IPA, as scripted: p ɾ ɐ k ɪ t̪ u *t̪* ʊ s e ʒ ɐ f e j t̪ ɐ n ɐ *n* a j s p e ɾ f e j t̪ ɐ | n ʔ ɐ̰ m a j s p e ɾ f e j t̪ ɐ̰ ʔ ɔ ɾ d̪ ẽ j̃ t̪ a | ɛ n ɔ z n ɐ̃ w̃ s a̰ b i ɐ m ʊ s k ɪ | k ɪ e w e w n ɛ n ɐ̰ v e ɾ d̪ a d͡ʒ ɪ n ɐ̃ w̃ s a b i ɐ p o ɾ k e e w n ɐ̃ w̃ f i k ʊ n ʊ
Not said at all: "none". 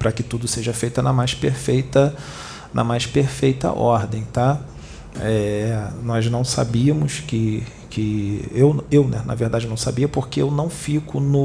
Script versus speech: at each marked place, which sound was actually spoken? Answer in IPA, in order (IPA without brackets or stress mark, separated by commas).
d̪, m